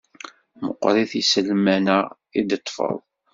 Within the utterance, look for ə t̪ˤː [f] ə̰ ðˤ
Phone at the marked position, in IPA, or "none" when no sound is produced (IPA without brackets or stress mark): f